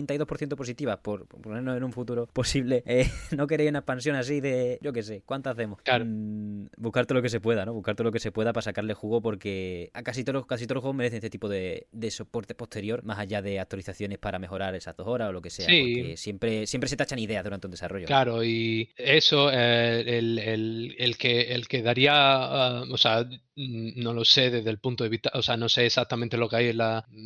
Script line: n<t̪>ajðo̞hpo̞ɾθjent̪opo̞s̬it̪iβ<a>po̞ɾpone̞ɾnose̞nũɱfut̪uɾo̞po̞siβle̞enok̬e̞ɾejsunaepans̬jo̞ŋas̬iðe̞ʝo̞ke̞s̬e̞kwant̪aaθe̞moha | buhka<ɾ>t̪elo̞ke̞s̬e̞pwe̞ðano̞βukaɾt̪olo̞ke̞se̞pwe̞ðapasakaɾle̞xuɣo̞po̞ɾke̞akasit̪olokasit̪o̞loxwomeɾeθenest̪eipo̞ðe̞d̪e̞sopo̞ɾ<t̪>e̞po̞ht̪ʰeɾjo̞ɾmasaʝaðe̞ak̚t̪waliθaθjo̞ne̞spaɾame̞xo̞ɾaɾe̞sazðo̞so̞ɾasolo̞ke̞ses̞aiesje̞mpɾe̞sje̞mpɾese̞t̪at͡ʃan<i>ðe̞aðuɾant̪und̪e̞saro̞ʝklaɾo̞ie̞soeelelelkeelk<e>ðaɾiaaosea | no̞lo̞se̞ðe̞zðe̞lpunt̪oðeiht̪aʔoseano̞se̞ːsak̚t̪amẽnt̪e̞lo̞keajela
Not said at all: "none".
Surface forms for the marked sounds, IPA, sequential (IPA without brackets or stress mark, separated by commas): t̪, a, ɾ, t̪, i, e